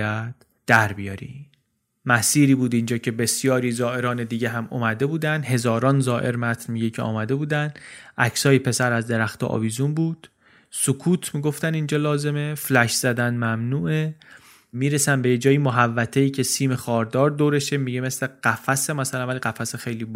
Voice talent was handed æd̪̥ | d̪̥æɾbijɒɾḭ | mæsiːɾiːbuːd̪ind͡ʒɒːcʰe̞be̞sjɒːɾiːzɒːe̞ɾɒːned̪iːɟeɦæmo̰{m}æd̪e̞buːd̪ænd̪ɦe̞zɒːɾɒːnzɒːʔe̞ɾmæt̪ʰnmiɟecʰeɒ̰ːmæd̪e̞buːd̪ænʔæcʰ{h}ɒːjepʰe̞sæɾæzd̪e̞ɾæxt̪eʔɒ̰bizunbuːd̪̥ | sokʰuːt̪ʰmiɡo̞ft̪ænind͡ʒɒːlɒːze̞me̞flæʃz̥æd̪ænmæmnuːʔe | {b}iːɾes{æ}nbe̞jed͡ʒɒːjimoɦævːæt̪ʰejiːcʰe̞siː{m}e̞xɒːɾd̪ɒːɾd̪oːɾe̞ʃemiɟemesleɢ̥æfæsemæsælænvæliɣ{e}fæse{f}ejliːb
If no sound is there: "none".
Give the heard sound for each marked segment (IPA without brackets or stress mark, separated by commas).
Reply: m, s, m, æ, m, æ, x